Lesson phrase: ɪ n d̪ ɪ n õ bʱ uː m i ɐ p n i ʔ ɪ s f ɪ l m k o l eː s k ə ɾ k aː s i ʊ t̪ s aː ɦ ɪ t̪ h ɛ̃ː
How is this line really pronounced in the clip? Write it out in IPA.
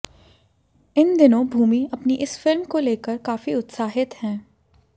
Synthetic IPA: ɪ n d̪ ɪ n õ bʱ uː m i ɐ p n i ʔ ɪ s f ɪ l m k o l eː k ə ɾ k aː f i ʊ t̪ s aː ɦ ɪ t̪ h ɛ̃ː